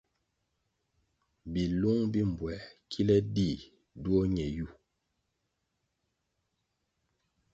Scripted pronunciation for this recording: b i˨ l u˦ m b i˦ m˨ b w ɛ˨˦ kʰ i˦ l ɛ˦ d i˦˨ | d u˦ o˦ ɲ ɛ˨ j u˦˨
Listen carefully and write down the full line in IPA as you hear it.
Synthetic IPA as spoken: b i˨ l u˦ ŋ b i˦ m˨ b w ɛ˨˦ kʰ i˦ l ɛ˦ d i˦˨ | d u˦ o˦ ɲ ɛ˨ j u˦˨